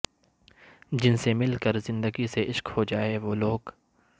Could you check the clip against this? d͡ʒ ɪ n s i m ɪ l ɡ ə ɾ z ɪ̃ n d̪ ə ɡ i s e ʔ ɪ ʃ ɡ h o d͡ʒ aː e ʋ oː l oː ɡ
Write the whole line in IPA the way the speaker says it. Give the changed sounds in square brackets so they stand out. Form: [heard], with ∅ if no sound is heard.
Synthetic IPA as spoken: d͡ʒ ɪ n s [e] m ɪ l [k] ə ɾ z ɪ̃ n d̪ ə ɡ i s e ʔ ɪ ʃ [k] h o d͡ʒ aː e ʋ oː l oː ɡ

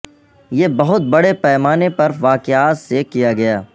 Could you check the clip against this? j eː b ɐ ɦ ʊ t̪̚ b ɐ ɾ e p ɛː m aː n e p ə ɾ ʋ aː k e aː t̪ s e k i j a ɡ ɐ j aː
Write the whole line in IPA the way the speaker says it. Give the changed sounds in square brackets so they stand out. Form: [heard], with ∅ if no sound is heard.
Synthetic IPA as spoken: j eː b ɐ ɦ ʊ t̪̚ b ɐ [ɽ] e p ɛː m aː n e p [ɐ] ɾ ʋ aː k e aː t̪ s e k i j a ɡ ɐ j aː

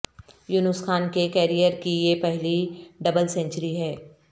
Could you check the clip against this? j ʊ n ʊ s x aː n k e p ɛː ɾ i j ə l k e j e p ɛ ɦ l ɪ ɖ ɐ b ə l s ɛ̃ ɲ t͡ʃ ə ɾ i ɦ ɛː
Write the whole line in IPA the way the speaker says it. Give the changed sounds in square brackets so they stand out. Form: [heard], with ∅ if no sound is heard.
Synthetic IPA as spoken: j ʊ n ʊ s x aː n k e [k] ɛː ɾ i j ə [ɾ] k [i] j e p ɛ ɦ l [i] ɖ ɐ b ə l s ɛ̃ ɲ t͡ʃ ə ɾ i ɦ ɛː

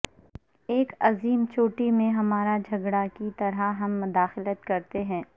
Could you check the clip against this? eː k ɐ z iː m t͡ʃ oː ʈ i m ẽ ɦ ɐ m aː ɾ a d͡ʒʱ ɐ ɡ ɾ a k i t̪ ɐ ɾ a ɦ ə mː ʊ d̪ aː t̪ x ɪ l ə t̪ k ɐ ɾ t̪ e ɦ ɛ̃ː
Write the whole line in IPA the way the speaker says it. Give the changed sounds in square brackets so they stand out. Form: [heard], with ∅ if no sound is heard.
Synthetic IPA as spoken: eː k ɐ z iː m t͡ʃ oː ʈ i m ẽ ɦ ɐ m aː ɾ a d͡ʒʱ ɐ ɡ [ɽ] a k i t̪ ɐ ɾ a ɦ [ɐ] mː ʊ d̪ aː [∅] x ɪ l ə t̪ k ɐ ɾ t̪ e ɦ ɛ̃ː

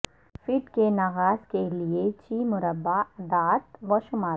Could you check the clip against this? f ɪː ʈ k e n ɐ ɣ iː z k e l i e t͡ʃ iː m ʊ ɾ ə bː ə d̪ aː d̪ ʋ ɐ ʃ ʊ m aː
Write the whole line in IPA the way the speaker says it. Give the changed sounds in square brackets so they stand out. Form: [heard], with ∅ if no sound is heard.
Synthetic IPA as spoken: f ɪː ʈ k e n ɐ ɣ [aː] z k e l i e t͡ʃ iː m ʊ ɾ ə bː [a] d̪ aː [t̪] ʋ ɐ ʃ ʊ m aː

